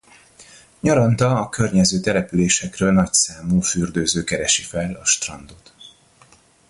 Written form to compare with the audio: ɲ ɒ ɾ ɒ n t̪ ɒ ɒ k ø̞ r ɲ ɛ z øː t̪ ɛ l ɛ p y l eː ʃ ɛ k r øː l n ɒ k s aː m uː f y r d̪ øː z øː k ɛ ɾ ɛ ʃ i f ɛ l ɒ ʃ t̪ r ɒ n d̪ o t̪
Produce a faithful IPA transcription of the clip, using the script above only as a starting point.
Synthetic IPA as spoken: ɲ ɒ ɾ ɒ n t̪ ɒ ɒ k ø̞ r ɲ ɛ z øː t̪ ɛ l ɛ p y l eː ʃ ɛ k r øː l n ɒ c s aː m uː f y r d̪ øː z øː k ɛ ɾ ɛ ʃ i f ɛ l ɒ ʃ t̪ r ɒ n d̪ o t̪

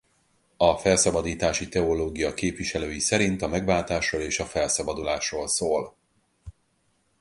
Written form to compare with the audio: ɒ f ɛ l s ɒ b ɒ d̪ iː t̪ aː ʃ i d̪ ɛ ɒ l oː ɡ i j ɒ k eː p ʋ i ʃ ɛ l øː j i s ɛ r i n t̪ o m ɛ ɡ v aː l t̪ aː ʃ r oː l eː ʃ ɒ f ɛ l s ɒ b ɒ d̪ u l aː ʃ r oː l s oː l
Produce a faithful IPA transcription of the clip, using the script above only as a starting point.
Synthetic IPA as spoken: ɒ f ɛ l s ɒ b ɒ d̪ iː t̪ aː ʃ i t̪ ɛ o l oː ɡ i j ɒ k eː p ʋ i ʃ ɛ l øː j i s ɛ ɾ i n t̪ ɒ m ɛ ɡ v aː l t̪ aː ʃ r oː l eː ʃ ɒ f ɛ l s ɒ b ɒ d̪ u l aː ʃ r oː l s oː l

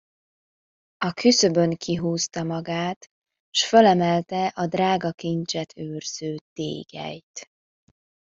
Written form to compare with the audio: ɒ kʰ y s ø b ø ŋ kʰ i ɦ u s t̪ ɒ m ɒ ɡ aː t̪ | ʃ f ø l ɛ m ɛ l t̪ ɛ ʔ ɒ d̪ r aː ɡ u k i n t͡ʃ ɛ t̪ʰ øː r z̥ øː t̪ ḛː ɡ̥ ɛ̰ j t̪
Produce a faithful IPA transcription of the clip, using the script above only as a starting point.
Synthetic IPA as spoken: ɒ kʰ y s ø b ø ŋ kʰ i ɦ uː s t̪ ɒ m ɒ ɡ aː t̪ | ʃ f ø l ɛ m ɛ l t̪ ɛ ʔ ɒ d̪ r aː ɡ ɒ k i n t͡ʃ ɛ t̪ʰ øː r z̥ øː t̪ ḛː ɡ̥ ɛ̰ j t̪

